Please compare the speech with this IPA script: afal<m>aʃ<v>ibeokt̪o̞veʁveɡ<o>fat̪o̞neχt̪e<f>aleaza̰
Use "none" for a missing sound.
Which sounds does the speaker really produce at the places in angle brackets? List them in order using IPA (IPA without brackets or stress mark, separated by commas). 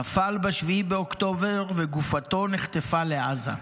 b, v, u, f